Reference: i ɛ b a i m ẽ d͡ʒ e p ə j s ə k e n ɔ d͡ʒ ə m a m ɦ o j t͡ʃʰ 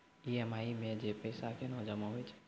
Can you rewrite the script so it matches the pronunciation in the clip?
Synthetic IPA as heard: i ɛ m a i m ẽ d͡ʒ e p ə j s a k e n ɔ d͡ʒ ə m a ɦ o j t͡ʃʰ